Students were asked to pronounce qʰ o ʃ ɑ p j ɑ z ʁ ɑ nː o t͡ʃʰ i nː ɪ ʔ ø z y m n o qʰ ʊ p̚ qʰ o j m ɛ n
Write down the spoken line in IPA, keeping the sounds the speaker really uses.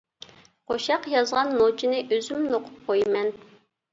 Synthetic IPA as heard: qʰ o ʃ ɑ q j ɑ z ʁ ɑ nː o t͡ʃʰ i n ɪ ʔ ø z y m n o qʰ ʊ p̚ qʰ o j m ɛ n